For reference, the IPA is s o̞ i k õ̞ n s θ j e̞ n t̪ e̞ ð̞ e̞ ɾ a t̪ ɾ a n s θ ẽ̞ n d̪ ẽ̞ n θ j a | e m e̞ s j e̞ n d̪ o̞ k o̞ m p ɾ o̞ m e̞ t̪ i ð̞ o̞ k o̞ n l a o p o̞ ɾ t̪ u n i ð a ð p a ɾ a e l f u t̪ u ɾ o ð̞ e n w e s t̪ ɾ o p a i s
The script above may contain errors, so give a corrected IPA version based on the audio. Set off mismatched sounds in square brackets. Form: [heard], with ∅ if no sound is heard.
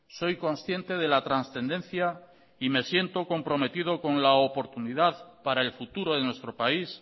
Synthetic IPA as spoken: s o̞ [j] k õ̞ n s θ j e̞ n t̪ e̞ ð̞ e̞ [l] a t̪ ɾ a n s θ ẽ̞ n d̪ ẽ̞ n θ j a | [i] m e̞ s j e̞ n [t̪] o̞ k o̞ m p ɾ o̞ m e̞ t̪ i ð̞ o̞ k o̞ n l a o p o̞ ɾ t̪ u n i ð a ð p a ɾ a e l f u t̪ u ɾ o ð̞ e n w e s t̪ ɾ o p a i s